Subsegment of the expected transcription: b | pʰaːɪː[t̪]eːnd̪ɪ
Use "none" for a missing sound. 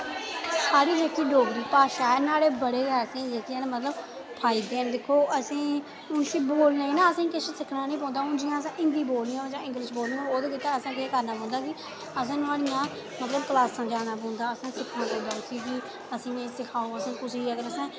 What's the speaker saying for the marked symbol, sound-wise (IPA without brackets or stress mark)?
d̪